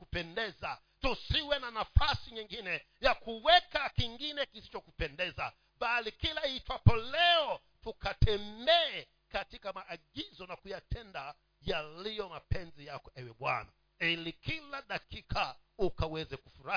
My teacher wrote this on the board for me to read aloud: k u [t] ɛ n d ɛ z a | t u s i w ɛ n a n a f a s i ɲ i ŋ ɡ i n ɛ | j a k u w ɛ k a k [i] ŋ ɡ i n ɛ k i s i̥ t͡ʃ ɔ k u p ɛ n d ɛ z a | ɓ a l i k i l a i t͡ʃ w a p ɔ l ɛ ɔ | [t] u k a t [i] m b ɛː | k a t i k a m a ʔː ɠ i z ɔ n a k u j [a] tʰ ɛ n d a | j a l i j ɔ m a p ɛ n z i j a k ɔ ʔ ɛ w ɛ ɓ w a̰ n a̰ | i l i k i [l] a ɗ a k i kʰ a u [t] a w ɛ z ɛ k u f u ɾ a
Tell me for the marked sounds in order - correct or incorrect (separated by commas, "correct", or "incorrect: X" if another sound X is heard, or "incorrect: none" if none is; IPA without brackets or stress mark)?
incorrect: p, correct, correct, incorrect: ɛ, correct, correct, incorrect: k